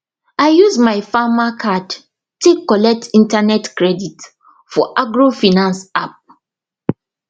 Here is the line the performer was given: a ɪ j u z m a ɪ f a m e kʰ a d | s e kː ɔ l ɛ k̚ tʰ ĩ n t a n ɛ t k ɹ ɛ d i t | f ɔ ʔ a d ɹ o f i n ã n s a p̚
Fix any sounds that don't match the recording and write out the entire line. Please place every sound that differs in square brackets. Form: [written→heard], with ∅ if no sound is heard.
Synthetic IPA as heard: a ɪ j u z m a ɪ f a m [e→a] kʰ a d | [s→t] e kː ɔ l ɛ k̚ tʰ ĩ n t a n ɛ t k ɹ ɛ d i t | f ɔ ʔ a [d→ɡ] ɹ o f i n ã n s a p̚